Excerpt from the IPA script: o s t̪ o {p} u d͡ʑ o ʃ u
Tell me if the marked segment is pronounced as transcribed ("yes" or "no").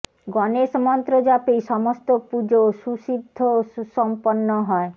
yes